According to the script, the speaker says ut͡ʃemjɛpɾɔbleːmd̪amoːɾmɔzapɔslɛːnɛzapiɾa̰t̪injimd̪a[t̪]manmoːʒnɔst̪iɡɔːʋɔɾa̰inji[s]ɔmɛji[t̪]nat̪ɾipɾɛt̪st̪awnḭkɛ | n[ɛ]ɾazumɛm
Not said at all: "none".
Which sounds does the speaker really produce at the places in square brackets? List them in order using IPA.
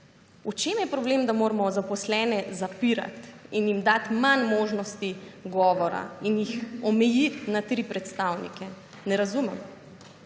t̪, x, t̪, ɛ

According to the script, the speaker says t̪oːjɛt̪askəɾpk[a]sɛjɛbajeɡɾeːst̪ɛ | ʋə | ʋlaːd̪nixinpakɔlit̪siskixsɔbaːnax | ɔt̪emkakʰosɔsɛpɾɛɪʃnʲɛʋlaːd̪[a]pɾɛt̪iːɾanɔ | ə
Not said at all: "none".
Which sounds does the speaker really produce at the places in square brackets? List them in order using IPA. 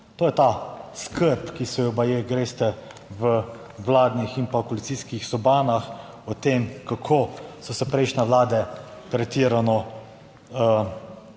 i, ɛ

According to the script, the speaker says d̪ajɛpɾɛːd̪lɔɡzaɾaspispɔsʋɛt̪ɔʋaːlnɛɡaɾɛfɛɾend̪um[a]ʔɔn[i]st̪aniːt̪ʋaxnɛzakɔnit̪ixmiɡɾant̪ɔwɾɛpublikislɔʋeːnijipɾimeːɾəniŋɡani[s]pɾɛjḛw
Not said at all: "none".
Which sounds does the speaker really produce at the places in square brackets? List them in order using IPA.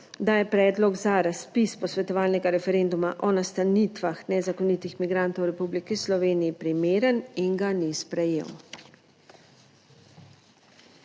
a, a, s

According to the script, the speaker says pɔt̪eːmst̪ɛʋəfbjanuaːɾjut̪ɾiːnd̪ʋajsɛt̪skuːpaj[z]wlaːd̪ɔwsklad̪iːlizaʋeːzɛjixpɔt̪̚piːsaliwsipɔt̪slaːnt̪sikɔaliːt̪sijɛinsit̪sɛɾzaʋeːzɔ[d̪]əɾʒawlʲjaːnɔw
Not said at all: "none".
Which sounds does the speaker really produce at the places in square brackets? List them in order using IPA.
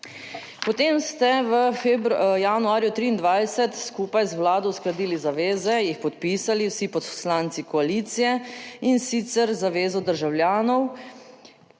z, d̪

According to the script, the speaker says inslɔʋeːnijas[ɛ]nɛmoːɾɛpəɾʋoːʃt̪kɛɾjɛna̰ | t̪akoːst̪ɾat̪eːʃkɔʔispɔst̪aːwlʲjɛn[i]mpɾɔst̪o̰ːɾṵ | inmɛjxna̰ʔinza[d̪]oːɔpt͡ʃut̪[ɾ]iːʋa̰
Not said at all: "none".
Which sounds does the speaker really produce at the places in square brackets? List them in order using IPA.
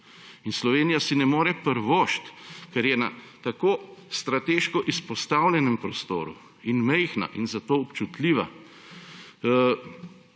i, ɛ, t̪, l

